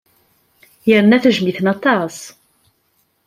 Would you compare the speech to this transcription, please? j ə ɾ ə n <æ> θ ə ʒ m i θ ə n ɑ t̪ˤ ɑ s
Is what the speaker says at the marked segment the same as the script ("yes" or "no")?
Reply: yes